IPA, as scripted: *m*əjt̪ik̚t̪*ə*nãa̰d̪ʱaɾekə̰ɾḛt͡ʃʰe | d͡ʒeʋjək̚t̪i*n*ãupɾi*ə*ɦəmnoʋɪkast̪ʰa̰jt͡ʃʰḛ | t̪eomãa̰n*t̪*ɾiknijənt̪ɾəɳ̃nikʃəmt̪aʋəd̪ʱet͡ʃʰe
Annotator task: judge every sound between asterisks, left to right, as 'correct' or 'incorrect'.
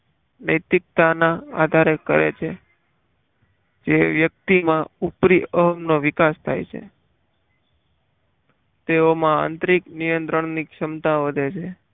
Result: incorrect, incorrect, incorrect, correct, correct

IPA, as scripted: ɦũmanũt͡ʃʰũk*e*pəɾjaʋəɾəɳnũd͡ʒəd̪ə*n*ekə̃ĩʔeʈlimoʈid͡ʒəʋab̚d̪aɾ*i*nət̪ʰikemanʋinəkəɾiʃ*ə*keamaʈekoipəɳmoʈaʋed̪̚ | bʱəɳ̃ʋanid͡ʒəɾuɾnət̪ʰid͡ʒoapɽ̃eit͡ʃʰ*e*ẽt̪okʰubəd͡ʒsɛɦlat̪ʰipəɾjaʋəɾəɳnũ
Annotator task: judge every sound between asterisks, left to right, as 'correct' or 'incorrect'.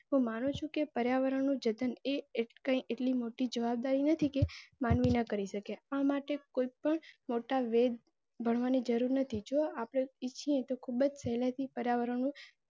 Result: correct, correct, correct, correct, incorrect

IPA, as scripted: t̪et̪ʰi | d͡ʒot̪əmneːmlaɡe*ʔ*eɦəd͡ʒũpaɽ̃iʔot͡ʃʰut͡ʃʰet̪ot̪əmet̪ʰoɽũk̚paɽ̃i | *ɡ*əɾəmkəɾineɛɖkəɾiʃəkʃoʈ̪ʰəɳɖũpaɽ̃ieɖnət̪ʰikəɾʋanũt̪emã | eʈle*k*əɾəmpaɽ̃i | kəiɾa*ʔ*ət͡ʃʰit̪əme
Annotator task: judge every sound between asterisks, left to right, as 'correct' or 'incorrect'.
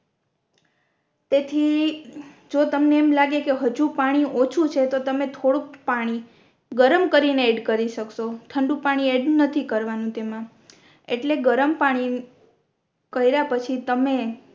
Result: incorrect, correct, incorrect, incorrect

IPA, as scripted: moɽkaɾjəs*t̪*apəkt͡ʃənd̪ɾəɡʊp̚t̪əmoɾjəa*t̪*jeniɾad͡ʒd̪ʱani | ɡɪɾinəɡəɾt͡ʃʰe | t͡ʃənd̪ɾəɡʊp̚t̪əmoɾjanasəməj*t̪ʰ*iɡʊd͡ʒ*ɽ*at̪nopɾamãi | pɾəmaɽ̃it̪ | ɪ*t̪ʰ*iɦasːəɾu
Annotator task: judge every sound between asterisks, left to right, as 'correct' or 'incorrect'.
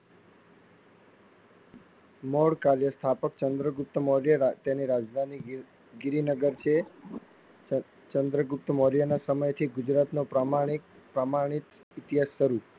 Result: incorrect, correct, correct, incorrect, incorrect

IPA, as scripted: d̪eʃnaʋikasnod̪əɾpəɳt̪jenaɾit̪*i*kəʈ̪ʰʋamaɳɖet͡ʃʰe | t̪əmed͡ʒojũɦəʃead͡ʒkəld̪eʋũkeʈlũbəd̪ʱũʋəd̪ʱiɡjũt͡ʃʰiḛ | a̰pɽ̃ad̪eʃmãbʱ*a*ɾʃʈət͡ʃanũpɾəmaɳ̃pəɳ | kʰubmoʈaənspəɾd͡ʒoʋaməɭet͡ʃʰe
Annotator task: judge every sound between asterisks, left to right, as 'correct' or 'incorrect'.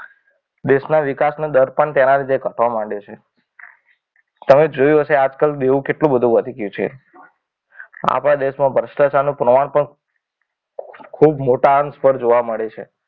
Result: incorrect, incorrect

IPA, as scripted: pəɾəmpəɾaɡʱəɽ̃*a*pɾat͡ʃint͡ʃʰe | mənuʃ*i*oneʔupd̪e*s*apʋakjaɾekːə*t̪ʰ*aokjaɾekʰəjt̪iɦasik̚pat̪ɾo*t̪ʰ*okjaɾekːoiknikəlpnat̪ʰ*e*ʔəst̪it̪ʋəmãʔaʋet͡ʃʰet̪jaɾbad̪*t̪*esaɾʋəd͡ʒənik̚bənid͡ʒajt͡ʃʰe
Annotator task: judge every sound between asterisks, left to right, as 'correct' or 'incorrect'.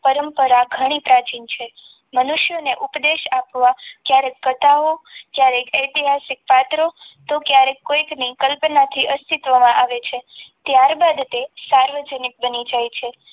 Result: incorrect, incorrect, incorrect, incorrect, incorrect, incorrect, correct

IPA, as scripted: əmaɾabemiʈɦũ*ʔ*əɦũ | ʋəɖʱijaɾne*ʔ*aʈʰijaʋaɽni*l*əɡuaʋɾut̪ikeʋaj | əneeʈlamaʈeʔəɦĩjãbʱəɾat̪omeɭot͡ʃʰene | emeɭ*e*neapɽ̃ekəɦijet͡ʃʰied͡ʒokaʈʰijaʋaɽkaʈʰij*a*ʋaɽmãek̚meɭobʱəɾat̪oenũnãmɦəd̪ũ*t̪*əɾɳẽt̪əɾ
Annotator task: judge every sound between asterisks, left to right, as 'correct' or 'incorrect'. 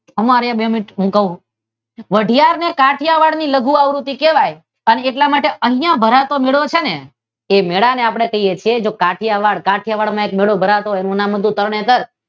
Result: incorrect, incorrect, correct, incorrect, correct, correct

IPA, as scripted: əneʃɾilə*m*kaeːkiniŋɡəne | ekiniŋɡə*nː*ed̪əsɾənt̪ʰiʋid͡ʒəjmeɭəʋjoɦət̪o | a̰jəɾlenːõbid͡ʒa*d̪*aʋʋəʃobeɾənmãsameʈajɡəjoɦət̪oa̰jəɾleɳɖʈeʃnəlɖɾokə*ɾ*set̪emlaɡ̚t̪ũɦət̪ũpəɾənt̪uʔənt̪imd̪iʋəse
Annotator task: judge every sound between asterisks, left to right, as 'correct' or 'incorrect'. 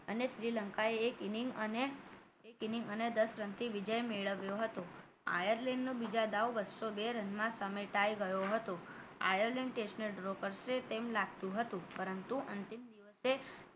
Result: incorrect, incorrect, correct, correct

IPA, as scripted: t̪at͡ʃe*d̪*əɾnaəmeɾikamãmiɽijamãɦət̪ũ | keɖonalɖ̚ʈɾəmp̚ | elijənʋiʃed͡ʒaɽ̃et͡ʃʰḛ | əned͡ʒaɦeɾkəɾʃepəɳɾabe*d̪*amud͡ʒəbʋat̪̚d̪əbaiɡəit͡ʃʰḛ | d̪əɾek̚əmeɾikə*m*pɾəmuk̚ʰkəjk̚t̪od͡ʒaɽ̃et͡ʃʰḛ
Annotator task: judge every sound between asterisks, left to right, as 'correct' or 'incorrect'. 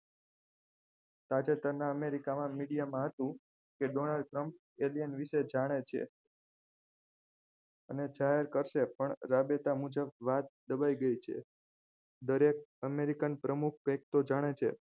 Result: incorrect, incorrect, incorrect

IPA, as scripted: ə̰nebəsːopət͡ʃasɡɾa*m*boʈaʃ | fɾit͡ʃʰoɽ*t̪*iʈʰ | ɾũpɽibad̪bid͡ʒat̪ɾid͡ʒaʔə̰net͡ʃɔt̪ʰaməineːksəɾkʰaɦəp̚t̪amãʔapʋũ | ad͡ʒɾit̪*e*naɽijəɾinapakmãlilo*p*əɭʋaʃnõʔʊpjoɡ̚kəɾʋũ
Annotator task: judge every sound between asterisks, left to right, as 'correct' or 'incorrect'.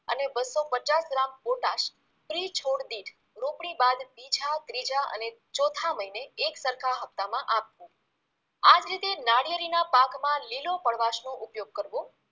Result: correct, incorrect, correct, correct

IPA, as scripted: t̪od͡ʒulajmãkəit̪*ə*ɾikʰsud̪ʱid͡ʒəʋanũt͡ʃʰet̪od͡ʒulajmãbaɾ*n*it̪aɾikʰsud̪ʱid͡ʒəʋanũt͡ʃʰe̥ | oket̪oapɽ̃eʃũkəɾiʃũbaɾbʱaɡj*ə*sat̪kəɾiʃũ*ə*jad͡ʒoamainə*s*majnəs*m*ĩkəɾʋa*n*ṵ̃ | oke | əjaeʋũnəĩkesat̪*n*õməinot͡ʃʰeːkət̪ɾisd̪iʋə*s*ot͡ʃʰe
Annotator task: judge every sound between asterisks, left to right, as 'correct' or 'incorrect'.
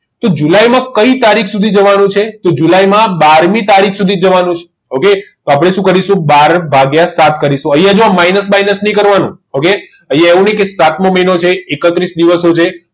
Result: incorrect, incorrect, incorrect, correct, correct, incorrect, correct, incorrect, correct

